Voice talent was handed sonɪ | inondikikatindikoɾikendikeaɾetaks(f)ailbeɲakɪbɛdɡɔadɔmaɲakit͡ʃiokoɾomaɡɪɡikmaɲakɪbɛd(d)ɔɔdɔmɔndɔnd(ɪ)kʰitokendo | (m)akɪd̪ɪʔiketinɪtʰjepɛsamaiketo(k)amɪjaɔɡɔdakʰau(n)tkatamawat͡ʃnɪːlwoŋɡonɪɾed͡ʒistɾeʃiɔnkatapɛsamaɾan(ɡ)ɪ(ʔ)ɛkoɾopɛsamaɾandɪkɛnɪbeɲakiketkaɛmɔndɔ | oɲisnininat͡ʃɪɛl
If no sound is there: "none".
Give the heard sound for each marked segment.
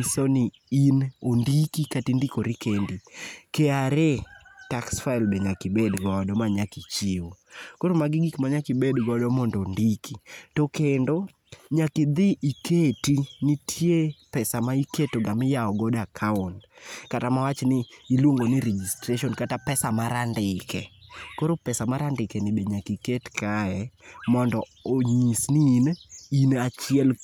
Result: f, ɡ, i, ɲ, ɡ, n, d, k

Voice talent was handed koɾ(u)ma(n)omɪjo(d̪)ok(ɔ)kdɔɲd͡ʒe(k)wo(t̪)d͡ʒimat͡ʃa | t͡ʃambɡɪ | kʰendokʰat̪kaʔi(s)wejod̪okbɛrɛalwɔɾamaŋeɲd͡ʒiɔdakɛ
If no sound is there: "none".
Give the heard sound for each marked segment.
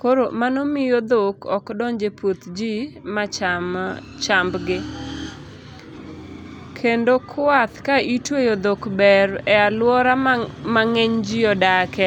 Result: o, n, d̪, ɔ, p, t̪, t

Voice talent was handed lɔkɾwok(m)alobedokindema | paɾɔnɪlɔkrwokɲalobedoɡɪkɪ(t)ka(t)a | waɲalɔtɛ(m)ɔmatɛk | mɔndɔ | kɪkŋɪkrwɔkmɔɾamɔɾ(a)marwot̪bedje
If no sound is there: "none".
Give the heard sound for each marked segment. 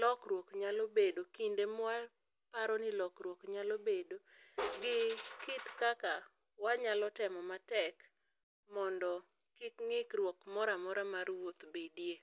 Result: ɲ, t, k, m, a

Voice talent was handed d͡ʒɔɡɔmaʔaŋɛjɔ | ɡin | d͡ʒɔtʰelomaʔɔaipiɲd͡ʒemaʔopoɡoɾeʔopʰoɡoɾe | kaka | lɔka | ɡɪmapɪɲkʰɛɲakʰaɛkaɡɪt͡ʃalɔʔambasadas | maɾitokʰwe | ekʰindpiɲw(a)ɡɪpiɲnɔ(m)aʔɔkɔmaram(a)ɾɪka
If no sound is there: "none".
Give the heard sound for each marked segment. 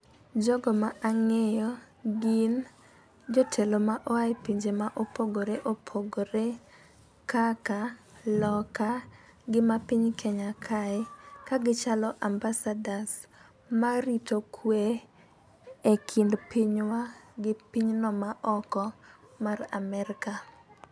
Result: a, m, ɛ

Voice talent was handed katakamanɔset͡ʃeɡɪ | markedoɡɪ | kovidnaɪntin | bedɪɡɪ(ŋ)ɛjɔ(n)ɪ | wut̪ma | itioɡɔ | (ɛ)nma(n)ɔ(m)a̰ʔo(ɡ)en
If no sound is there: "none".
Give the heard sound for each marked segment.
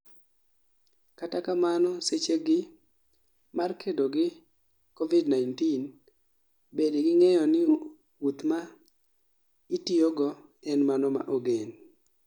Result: ŋ, n, ɛ, n, m, ɡ

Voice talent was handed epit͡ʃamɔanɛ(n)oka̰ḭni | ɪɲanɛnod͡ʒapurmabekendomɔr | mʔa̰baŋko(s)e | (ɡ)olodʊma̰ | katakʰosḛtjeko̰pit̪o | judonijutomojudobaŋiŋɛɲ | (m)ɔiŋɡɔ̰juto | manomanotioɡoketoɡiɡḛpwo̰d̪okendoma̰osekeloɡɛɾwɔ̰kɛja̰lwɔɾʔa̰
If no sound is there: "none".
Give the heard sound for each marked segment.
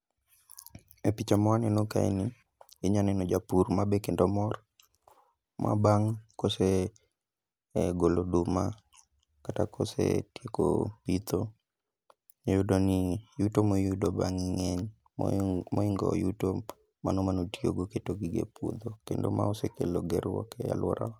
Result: n, s, ɡ, m

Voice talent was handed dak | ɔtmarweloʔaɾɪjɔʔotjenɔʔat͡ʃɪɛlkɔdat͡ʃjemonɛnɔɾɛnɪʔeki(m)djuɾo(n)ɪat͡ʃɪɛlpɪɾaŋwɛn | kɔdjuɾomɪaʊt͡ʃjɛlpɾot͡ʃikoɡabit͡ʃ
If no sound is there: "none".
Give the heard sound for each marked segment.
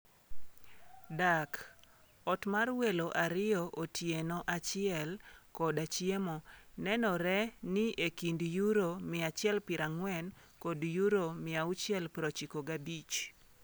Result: n, m

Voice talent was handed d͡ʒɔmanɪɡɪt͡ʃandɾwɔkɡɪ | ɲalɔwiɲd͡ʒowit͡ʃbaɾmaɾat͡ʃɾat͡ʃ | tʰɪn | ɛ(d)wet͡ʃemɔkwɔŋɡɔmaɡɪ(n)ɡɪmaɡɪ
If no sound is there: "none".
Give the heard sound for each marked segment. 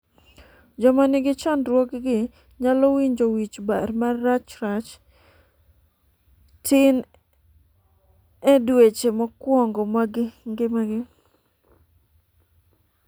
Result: d, ŋ

